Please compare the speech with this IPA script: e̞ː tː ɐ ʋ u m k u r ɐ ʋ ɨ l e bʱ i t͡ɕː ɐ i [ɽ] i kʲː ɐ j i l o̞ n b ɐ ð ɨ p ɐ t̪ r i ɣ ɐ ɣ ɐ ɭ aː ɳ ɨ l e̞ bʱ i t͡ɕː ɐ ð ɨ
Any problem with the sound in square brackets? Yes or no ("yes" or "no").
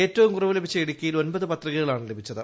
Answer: no